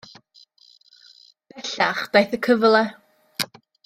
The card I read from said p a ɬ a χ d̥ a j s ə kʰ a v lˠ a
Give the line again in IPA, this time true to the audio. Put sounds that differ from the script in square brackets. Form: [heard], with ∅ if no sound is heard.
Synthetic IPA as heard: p [ɛ] ɬ a χ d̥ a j [θ] ə kʰ [ə] v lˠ [ɛ]